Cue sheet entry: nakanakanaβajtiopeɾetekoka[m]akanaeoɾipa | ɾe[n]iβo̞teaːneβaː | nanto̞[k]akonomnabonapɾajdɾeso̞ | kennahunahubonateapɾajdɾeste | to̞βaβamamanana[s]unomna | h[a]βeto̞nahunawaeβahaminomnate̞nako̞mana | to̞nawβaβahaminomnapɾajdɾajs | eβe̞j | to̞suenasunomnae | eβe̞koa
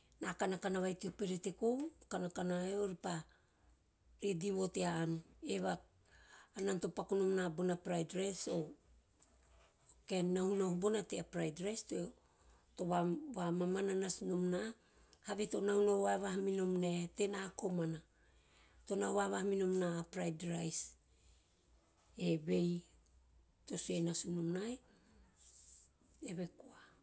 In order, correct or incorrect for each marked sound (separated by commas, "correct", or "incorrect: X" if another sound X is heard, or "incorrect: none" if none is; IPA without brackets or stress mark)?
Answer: incorrect: n, incorrect: d, incorrect: p, correct, correct